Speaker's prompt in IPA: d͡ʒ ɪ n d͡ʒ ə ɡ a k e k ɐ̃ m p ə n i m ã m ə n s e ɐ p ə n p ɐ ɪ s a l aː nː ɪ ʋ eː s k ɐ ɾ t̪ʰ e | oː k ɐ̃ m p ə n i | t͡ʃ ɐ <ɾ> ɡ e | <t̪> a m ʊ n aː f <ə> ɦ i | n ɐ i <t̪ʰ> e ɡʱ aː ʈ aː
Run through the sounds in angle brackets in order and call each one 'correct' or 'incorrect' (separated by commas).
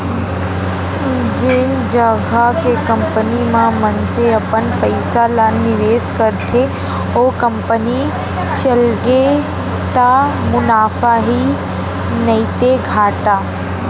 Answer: incorrect, correct, incorrect, incorrect